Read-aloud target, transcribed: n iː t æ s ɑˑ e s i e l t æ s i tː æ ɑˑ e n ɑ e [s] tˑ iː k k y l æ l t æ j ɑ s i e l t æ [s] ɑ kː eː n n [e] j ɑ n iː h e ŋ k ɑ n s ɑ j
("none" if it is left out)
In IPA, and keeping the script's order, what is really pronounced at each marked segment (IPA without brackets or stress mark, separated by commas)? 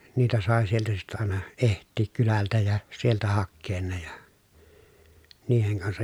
h, h, e